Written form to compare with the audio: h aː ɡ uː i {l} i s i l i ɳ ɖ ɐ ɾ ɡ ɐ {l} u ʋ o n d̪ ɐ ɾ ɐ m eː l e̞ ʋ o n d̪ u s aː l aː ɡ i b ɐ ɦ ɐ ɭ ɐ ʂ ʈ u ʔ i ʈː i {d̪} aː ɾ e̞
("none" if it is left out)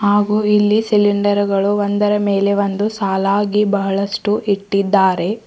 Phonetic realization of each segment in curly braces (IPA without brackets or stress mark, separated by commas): lː, ɭ, d̪ː